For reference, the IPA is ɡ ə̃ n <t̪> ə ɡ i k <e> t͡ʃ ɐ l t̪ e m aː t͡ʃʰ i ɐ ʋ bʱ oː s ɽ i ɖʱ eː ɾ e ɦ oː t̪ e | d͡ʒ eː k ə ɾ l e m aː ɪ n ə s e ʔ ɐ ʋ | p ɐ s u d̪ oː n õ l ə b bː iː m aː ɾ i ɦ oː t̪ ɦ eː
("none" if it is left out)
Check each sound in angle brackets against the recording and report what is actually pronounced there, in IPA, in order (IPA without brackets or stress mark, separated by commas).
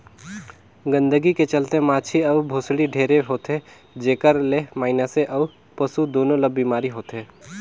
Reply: d̪, e